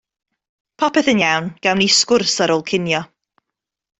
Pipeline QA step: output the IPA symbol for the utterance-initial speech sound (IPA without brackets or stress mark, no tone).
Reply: pʰ